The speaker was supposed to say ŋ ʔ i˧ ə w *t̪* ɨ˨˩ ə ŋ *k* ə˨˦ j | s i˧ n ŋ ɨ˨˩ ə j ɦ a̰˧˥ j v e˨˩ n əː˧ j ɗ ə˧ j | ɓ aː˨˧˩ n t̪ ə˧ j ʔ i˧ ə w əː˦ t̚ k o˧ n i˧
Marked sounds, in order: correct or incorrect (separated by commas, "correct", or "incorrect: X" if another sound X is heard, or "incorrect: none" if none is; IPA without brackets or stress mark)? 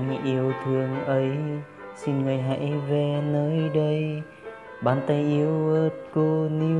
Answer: incorrect: t̪ʰ, incorrect: ʔ